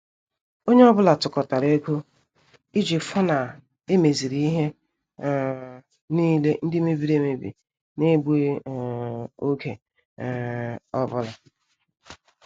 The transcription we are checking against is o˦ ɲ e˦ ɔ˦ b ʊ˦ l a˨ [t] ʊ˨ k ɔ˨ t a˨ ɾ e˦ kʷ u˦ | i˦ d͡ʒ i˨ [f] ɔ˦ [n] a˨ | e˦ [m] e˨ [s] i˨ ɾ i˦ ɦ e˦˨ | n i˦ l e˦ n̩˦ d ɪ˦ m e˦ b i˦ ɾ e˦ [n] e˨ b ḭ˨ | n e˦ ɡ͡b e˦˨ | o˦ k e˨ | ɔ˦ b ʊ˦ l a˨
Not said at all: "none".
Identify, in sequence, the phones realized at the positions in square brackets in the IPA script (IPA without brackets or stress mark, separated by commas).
t, f, n, m, z, m